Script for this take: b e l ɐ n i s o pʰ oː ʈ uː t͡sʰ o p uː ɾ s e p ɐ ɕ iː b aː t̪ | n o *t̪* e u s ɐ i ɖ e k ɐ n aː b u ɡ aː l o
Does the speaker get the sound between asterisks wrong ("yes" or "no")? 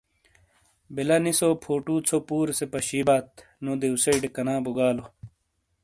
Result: yes